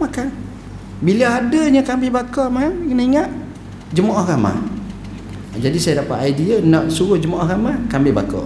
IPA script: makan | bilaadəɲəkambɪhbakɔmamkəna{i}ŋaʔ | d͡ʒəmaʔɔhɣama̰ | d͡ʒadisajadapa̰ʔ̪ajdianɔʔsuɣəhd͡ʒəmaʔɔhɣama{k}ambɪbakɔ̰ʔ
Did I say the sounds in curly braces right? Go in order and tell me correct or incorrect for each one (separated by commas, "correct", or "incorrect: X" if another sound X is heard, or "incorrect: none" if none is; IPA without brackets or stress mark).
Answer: correct, correct